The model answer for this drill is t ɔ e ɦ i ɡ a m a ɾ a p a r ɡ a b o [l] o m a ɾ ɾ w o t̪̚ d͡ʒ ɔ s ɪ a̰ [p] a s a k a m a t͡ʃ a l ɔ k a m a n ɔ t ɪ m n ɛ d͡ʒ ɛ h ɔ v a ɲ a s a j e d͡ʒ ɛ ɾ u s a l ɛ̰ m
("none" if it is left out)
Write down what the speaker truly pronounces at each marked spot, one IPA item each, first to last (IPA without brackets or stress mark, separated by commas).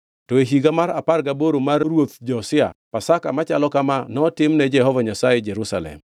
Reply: ɾ, p